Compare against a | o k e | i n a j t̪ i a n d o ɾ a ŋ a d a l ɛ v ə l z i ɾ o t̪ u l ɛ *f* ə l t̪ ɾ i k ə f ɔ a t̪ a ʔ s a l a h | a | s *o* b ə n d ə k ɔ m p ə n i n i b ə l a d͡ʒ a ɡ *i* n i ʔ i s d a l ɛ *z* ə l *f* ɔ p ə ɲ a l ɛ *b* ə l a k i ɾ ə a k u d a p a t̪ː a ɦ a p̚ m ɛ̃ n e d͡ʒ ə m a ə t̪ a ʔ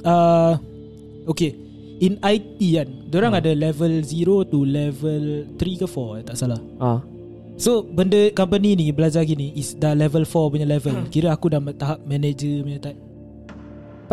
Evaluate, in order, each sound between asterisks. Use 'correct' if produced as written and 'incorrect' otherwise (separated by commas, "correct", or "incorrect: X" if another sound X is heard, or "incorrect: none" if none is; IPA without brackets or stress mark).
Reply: incorrect: v, correct, correct, incorrect: v, correct, incorrect: v